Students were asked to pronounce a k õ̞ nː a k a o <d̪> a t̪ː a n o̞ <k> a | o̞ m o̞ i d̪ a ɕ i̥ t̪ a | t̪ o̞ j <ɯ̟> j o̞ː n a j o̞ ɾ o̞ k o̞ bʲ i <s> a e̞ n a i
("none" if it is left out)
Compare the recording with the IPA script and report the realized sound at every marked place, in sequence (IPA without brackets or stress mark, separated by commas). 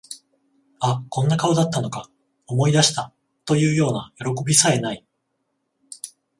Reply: d̪, k, ɯ̟ː, s